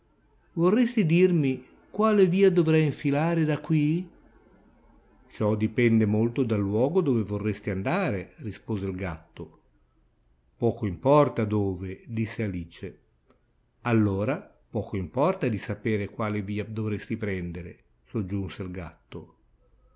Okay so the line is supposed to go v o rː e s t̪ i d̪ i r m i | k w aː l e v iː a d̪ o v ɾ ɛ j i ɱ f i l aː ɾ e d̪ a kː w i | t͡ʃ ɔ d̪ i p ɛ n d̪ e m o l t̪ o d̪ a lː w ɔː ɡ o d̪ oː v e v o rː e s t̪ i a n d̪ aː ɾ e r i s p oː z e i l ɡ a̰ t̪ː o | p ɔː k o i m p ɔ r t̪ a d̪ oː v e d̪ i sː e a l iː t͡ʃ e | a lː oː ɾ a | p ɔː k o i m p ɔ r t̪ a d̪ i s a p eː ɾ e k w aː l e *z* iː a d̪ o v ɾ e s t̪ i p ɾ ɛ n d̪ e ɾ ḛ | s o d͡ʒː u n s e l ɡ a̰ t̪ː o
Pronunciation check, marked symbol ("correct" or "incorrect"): incorrect